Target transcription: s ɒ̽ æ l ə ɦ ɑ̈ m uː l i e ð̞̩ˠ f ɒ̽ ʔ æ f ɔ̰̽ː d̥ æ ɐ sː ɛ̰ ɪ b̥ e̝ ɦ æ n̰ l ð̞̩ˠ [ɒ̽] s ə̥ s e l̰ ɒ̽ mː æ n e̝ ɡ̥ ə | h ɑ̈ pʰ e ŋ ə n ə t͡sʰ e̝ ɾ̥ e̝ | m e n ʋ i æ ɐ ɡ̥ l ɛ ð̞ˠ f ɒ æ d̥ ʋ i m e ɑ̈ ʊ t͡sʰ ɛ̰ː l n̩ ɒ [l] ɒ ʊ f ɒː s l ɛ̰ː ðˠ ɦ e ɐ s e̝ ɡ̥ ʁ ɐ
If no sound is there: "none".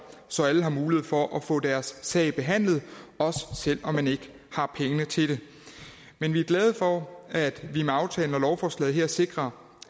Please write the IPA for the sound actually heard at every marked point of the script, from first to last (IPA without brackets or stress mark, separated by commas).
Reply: ɒ̽, l